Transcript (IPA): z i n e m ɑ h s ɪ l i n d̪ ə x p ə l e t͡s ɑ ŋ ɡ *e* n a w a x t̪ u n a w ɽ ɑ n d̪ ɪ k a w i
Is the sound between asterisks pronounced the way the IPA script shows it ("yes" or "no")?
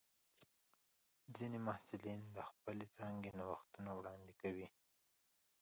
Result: yes